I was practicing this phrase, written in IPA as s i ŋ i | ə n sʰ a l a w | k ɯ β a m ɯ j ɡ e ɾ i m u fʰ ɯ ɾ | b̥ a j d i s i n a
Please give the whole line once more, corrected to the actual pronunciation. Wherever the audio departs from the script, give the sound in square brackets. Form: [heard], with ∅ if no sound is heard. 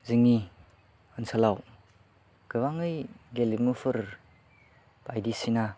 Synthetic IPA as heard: [z] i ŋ i | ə n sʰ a l a w | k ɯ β a [ŋ] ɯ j ɡ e [l] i m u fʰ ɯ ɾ | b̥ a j d i s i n a